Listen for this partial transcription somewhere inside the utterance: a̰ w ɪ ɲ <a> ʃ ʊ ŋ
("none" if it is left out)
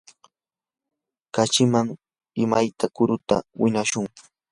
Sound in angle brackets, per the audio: a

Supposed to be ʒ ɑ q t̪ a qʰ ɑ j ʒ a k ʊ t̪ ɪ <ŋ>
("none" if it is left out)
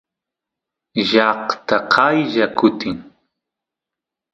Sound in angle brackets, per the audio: ŋ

